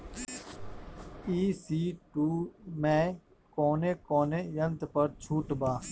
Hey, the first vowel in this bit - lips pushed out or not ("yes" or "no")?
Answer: no